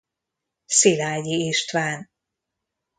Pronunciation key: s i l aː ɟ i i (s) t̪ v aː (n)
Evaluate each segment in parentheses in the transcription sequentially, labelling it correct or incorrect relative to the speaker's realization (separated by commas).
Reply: incorrect, correct